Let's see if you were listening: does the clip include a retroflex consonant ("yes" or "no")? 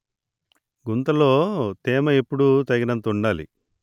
yes